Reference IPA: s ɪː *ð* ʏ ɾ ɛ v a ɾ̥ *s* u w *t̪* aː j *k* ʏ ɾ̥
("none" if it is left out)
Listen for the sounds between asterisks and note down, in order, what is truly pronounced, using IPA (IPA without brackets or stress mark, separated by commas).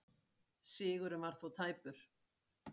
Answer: ɣ, θ, t̪ʰ, p